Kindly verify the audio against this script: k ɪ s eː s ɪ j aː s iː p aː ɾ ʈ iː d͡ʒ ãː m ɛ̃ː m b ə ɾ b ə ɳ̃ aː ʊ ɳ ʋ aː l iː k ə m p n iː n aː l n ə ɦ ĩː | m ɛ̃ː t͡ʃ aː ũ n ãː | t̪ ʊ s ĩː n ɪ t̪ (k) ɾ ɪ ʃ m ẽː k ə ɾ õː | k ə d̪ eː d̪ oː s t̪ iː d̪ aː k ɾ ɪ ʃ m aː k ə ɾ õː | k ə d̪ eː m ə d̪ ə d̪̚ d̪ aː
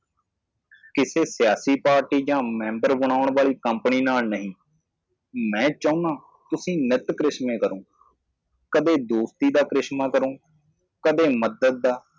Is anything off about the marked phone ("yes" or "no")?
no